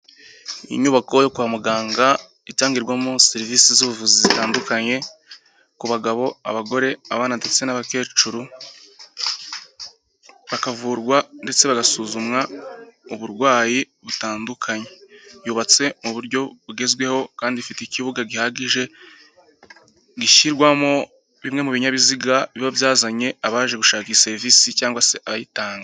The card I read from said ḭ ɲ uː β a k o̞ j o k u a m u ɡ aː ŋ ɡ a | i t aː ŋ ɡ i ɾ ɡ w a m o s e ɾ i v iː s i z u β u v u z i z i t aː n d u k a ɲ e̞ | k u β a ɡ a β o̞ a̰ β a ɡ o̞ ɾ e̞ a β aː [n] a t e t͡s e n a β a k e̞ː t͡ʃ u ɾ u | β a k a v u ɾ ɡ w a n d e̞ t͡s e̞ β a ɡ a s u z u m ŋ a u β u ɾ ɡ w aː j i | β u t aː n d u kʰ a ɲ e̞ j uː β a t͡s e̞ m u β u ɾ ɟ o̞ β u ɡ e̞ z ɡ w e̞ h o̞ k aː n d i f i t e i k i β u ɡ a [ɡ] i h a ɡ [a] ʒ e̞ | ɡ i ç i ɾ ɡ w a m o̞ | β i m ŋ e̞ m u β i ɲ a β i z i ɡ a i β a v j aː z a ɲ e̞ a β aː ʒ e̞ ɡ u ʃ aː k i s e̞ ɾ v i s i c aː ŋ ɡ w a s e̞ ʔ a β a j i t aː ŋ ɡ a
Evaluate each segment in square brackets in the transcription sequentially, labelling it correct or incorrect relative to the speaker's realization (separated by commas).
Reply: correct, correct, incorrect